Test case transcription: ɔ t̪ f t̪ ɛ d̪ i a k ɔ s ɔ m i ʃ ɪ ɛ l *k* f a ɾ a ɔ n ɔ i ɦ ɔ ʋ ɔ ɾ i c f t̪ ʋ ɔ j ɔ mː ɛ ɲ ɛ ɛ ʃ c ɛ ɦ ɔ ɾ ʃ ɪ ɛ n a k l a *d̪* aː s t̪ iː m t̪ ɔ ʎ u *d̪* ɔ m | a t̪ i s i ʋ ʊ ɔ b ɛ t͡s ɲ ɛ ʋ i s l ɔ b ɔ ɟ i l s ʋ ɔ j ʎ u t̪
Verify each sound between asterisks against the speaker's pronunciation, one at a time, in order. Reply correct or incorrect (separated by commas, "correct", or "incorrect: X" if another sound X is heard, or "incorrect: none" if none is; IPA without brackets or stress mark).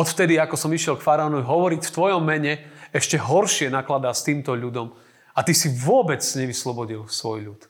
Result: correct, correct, correct